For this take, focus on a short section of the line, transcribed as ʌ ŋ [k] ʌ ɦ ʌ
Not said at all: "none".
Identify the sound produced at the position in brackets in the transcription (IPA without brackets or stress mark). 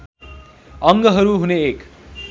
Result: ɡ